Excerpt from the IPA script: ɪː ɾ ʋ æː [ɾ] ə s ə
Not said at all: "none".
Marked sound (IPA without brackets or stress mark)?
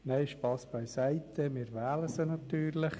l